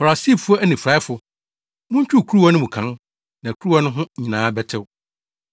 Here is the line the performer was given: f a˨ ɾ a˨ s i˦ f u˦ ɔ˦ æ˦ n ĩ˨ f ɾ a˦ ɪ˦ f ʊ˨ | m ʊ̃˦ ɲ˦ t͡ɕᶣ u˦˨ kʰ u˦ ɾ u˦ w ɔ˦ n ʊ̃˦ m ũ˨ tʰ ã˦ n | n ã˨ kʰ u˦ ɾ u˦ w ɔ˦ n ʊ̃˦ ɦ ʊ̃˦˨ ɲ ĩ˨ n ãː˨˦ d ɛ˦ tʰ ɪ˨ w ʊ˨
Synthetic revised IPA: f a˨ ɾ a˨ s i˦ f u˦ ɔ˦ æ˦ n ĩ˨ f ɾ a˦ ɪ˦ f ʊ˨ | m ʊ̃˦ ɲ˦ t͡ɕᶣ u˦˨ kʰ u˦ ɾ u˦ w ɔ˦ n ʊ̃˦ m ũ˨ kʰ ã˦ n | n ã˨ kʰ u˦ ɾ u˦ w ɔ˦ n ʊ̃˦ ɦ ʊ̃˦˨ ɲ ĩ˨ n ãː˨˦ b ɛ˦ tʰ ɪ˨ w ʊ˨